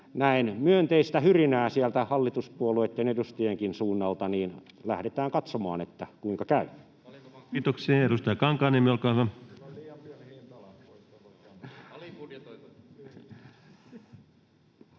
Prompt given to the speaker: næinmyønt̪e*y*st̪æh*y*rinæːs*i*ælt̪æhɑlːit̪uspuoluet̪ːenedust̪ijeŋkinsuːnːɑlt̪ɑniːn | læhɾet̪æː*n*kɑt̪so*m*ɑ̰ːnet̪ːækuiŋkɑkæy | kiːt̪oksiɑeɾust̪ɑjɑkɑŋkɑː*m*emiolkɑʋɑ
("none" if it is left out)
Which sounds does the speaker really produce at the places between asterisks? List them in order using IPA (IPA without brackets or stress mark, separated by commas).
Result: i, y, i, ŋ, m, n